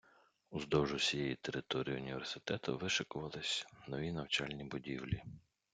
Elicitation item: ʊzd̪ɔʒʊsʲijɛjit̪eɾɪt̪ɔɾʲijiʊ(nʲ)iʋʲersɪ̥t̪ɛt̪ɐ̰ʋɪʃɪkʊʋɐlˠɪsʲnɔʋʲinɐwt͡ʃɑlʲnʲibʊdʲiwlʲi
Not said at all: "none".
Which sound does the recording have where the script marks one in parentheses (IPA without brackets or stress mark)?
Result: nʲ